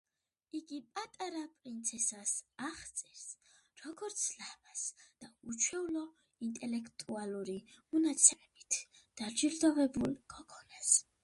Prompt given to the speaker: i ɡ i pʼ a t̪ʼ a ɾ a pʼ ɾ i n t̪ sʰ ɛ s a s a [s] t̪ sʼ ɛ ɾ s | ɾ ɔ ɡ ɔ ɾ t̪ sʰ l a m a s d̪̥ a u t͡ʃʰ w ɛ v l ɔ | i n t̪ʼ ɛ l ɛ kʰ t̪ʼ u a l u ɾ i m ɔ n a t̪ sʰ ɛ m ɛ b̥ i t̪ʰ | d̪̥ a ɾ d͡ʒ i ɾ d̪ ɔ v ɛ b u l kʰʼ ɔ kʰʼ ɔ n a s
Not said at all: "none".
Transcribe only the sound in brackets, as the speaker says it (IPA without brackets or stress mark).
χ